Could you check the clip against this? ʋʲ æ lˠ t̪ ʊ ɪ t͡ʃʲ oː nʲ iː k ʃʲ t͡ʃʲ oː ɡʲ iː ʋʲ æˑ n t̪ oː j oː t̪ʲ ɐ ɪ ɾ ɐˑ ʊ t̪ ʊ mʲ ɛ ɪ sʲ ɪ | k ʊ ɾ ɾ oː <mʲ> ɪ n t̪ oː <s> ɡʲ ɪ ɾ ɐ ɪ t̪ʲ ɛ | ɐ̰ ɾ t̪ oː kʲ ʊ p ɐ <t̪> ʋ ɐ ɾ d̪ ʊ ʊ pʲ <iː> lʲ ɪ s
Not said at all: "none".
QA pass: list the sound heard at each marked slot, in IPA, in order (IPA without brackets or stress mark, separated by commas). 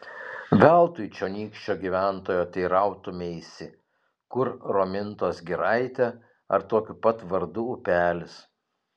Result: mʲ, s, t̪, æː